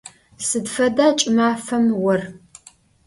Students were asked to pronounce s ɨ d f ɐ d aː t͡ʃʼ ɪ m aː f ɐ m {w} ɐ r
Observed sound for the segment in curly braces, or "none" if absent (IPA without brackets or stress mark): w